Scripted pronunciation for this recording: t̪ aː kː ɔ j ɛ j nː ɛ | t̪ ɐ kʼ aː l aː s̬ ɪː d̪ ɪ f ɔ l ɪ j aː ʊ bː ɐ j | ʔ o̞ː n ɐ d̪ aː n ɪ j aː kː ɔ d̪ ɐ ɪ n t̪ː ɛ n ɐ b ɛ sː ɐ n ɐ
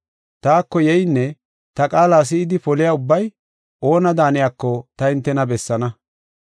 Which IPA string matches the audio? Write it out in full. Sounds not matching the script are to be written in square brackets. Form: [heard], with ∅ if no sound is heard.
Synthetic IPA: t̪ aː kː ɔ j ɛ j nː ɛ | t̪ ɐ kʼ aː l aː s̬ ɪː d̪ ɪ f ɔ l ɪ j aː ʊ bː ɐ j | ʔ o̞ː n ɐ d̪ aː n ɪ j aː kː ɔ [t̪] ɐ ɪ n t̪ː ɛ n ɐ b ɛ sː ɐ n ɐ